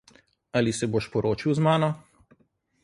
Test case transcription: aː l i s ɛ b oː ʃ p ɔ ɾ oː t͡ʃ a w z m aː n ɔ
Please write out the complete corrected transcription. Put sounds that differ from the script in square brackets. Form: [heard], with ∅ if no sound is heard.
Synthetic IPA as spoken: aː l i s ɛ b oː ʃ p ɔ ɾ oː t͡ʃ [i] w z m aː n ɔ